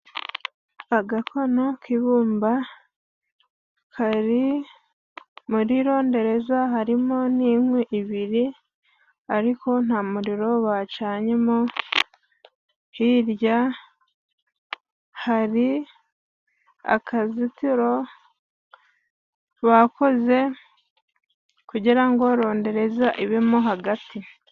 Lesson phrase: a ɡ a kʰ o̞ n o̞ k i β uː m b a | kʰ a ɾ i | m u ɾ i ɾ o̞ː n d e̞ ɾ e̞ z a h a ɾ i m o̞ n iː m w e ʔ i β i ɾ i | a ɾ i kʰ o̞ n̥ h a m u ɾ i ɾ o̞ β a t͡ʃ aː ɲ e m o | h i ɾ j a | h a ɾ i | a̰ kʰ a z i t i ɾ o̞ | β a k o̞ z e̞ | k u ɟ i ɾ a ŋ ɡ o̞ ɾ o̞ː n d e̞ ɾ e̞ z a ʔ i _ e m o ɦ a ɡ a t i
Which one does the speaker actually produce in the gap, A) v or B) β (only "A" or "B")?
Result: B